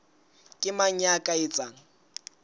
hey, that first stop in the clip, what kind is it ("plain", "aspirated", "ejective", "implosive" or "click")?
ejective